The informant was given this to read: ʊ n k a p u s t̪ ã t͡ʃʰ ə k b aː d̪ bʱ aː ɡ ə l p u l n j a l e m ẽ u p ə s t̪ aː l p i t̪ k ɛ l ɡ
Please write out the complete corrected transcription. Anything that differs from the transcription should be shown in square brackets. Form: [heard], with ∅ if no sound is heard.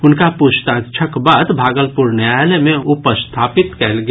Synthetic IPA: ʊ n k a p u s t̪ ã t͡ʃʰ ə k b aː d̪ bʱ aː ɡ ə l p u [ɾ] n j a l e m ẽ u p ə s [t̪ʰ] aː [∅] p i t̪ k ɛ l ɡ